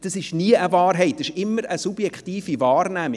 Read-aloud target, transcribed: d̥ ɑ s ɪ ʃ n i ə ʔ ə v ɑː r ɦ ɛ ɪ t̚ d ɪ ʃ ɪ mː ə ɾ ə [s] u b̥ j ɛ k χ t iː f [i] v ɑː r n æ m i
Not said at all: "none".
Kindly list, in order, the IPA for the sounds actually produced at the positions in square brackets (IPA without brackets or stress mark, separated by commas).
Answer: s, i